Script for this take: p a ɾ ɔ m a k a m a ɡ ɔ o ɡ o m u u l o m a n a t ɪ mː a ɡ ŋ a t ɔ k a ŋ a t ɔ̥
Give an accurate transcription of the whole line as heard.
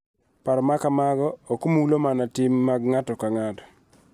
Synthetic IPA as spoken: p a ɾ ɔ m a k a m a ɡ ɔ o k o m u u l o m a n a t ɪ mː a ɡ ŋ a t ɔ k a ŋ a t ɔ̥